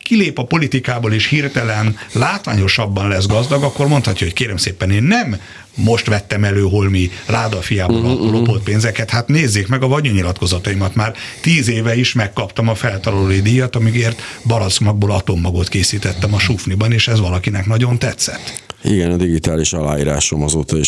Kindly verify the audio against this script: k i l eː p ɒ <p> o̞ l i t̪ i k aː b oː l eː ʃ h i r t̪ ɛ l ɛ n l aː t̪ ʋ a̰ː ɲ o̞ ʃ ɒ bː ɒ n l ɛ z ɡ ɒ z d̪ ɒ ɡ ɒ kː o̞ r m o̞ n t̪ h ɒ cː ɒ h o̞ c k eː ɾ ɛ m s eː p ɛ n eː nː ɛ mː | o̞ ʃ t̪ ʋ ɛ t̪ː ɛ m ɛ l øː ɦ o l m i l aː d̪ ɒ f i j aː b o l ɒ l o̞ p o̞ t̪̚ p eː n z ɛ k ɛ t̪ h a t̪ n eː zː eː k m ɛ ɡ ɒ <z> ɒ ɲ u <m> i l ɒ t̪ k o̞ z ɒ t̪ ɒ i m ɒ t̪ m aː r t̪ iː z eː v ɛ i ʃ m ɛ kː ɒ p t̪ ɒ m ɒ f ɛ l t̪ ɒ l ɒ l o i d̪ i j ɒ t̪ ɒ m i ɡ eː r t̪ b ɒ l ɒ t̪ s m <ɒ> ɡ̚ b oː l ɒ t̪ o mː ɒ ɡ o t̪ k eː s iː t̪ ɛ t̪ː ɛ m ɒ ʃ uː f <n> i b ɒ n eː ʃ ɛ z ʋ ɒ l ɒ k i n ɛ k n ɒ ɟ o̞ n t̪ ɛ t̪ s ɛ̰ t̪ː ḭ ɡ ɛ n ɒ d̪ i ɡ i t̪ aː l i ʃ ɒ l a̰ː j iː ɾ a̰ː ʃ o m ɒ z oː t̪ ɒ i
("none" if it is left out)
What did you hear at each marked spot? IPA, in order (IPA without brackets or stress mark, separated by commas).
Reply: p, v, ɲ, ɒ, n